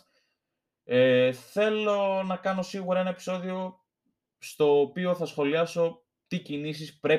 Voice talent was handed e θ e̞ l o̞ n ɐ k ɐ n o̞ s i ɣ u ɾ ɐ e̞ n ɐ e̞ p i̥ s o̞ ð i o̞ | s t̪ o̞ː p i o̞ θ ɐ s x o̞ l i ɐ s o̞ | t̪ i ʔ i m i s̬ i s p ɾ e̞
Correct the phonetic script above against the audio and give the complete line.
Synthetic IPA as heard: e θ e̞ l o̞ n ɐ k ɐ n o̞ s i ɣ u ɾ ɐ e̞ n ɐ e̞ p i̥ s o̞ ð i o̞ | s t̪ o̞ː p i o̞ θ ɐ s x o̞ l i ɐ s o̞ | t̪ i c i n i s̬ i s p ɾ e̞